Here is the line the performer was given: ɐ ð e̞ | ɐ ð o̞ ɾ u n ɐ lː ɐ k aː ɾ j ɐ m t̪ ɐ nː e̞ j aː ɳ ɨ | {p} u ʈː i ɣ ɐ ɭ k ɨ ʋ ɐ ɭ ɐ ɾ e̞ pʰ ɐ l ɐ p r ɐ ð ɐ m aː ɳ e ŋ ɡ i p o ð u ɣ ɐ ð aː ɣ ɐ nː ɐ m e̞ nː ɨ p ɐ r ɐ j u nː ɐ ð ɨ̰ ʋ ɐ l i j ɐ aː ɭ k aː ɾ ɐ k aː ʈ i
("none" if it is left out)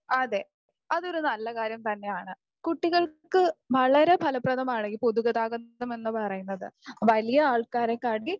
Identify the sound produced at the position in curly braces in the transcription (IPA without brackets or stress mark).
k